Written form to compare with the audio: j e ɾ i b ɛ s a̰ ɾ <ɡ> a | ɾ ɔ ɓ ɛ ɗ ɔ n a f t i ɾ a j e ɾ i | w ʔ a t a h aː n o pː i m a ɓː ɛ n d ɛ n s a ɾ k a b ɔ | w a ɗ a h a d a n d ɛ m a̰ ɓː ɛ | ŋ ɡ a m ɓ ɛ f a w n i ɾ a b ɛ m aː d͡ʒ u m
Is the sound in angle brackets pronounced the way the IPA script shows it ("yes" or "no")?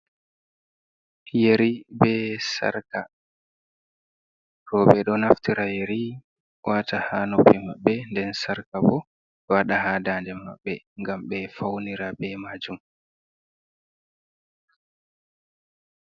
no